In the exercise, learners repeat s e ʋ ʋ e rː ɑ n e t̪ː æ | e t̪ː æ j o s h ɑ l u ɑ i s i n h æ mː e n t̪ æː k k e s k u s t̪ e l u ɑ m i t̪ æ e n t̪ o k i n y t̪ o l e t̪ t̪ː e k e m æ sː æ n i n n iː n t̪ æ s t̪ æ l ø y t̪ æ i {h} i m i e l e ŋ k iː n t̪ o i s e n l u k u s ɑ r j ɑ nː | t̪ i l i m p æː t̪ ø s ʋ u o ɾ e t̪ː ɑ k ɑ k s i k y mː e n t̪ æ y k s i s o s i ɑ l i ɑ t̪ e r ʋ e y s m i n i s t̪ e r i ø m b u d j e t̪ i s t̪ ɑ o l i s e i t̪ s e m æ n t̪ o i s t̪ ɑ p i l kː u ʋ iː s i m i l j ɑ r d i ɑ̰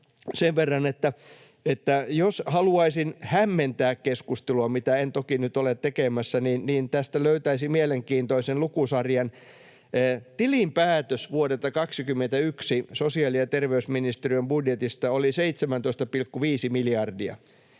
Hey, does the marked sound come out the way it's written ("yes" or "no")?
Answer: no